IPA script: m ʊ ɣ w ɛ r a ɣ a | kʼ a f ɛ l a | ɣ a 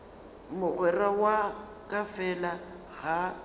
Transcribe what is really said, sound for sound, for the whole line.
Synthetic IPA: m ʊ ɣ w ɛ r a w a | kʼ a f ɛ l a | ɣ a